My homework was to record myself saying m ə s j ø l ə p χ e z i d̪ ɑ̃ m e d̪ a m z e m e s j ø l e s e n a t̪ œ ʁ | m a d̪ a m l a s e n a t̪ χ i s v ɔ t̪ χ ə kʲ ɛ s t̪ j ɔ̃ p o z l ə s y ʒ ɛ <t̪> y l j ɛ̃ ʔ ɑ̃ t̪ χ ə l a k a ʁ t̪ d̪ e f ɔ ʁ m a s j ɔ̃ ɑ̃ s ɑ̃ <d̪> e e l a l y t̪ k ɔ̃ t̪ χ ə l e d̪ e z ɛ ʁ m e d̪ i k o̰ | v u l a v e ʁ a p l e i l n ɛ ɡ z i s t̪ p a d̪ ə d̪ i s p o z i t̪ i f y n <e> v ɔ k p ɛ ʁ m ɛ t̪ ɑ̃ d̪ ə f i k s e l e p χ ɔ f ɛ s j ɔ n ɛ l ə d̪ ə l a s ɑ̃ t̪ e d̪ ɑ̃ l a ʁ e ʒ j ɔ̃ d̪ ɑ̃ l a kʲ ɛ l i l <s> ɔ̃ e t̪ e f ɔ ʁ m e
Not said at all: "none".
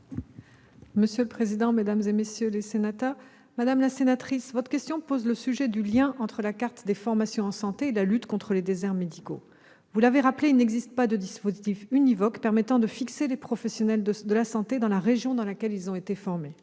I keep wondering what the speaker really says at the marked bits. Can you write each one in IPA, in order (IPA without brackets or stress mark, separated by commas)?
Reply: d̪, t̪, i, z